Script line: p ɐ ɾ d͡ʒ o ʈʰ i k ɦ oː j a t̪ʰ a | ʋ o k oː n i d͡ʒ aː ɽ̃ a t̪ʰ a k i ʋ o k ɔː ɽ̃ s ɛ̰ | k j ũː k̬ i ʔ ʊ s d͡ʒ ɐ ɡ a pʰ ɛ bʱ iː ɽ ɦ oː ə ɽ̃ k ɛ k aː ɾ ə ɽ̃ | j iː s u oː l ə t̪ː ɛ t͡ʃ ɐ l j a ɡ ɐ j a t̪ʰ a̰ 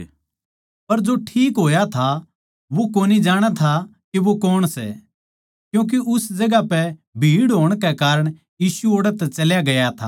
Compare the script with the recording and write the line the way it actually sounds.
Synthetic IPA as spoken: p ɐ ɾ d͡ʒ o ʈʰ iː k ɦ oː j a t̪ʰ a | ʋ o k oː n i d͡ʒ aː ɽ̃ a t̪ʰ a k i ʋ o k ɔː ɽ̃ s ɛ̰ | k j ũː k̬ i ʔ ʊ s d͡ʒ ɐ ɡ a p ɛ bʱ iː ɽ ɦ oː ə ɽ̃ k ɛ k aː ɾ ə ɽ̃ | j iː s u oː ɽ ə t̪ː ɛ t͡ʃ ɐ l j a ɡ ɐ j a t̪ʰ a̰

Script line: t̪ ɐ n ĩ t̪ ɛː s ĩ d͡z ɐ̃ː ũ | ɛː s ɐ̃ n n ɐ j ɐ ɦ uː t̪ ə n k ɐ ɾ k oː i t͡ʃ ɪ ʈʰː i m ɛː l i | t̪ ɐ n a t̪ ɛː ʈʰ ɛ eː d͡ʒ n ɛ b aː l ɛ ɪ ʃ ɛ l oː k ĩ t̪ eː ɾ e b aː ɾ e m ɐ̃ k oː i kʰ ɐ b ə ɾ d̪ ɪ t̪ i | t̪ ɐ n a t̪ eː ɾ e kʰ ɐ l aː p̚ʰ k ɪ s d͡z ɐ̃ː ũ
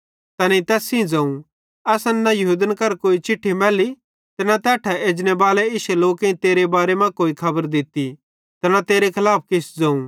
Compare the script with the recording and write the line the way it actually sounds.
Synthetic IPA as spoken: t̪ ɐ n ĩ t̪ ɛː s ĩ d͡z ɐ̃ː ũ | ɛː s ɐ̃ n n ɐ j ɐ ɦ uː d̪ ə n k ɐ ɾ k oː i t͡ʃ ɪ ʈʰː i m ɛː l i | t̪ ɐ n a t̪ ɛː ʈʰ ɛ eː d͡ʒ n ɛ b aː l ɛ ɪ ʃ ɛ l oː k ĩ t̪ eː ɾ e b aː ɾ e m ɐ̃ k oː i kʰ ɐ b ə ɾ d̪ ɪ t̪ i | t̪ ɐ n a t̪ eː ɾ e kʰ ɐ l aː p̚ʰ k ɪ s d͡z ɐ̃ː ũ

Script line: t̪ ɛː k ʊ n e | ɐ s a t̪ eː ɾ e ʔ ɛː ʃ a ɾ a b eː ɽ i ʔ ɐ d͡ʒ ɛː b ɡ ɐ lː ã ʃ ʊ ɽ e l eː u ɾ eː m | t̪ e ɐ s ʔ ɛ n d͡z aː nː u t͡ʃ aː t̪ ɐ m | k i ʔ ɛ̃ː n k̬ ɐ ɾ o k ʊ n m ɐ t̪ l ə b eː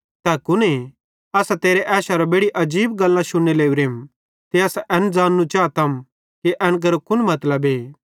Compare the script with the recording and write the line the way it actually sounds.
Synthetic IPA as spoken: t̪ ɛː k ʊ n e | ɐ s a t̪ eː ɾ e ʔ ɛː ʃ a ɾ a b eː ɽ i ʔ ɐ d͡ʒ iː b ɡ ɐ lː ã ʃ ʊ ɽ e l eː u ɾ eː m | t̪ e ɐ s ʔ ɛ n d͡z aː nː u t͡ʃ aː t̪ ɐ m | k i ʔ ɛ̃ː n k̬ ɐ ɾ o k ʊ n m ɐ t̪ l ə b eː

